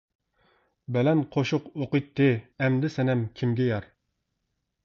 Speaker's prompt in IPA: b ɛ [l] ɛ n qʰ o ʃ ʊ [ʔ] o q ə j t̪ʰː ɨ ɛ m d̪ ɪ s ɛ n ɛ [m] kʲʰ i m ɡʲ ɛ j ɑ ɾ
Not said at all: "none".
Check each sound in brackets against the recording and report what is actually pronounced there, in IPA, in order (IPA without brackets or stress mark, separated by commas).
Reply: l, q, m